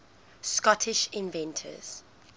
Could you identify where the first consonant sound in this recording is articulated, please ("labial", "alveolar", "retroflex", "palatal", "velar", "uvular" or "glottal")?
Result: alveolar